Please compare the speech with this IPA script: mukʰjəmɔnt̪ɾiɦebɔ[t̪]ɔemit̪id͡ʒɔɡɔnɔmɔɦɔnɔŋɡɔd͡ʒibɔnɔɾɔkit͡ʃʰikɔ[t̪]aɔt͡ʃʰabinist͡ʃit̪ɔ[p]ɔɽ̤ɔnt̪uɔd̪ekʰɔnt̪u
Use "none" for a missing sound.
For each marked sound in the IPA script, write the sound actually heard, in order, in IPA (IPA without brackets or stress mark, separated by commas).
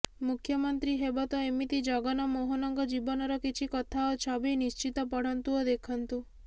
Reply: t̪, t̪ʰ, p